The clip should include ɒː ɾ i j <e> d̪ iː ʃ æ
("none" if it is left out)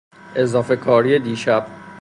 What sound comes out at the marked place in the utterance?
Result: e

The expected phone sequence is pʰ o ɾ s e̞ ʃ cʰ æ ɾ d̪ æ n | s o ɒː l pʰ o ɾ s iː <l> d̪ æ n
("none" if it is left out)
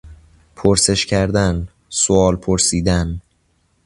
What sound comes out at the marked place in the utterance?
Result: none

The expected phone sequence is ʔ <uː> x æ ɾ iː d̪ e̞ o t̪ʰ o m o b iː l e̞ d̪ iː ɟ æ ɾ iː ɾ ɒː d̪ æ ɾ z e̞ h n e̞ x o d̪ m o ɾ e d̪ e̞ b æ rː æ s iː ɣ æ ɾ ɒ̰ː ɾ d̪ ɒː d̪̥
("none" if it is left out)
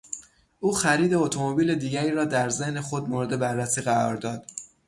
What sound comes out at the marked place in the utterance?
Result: uː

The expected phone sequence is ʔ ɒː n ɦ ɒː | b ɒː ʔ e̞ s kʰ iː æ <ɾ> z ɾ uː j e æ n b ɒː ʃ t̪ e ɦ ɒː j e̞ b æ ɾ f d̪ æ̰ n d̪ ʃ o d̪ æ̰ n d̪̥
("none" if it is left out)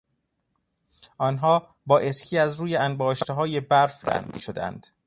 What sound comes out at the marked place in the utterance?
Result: none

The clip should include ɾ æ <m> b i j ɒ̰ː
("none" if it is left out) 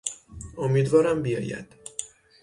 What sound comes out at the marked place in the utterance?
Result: m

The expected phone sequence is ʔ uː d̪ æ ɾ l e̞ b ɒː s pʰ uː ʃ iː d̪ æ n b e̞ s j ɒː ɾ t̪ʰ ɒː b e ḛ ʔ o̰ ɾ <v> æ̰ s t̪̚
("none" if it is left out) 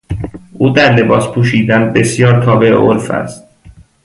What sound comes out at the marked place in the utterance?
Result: f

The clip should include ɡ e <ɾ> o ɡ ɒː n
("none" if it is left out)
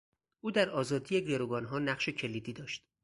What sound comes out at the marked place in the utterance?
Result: ɾ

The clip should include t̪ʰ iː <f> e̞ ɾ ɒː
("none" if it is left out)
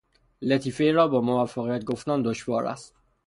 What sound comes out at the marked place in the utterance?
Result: f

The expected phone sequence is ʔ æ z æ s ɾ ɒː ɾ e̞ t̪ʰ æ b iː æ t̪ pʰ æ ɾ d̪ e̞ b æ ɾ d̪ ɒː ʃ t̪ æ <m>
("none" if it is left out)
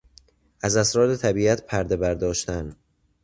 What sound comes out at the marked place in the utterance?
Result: n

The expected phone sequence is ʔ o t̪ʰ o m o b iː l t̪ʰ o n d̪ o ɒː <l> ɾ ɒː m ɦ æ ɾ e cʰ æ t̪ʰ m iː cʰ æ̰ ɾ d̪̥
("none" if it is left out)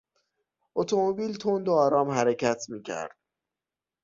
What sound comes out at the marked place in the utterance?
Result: none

